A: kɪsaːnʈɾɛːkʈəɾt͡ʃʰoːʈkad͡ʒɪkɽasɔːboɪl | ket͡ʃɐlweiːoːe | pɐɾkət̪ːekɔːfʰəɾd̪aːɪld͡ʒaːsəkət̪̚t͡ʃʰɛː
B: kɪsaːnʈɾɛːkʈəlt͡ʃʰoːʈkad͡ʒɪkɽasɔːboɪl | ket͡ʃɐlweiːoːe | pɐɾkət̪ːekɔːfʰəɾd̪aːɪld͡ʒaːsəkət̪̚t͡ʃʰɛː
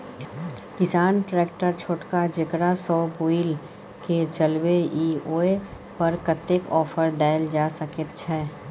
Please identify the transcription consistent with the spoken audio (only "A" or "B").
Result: A